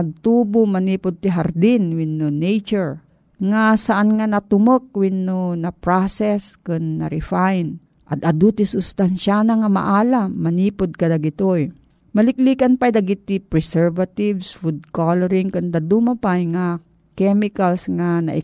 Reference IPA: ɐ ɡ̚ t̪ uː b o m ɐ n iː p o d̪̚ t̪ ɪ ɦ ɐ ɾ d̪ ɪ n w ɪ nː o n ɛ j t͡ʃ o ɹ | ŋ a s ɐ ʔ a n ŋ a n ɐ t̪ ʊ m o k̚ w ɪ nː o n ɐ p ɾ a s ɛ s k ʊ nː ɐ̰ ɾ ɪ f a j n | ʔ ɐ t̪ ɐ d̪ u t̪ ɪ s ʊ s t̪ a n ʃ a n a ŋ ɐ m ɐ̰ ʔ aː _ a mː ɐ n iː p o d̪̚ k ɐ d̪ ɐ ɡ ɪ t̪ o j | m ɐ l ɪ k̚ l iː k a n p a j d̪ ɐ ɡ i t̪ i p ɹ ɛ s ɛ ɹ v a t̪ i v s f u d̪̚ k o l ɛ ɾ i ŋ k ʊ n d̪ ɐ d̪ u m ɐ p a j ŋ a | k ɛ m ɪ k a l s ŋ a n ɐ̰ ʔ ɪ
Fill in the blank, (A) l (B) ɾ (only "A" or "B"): A